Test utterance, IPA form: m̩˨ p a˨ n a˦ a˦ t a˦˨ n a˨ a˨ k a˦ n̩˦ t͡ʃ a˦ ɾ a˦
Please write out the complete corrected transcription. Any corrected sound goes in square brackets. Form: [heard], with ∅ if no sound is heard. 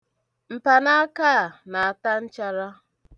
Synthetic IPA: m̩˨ p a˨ n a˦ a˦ [k] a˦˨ n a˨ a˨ [t] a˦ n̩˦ t͡ʃ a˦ ɾ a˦